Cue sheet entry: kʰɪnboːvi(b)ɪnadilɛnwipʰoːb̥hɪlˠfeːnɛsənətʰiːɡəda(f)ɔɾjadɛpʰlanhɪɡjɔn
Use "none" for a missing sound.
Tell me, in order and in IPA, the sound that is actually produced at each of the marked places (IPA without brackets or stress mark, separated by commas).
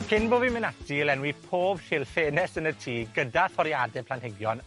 m, θ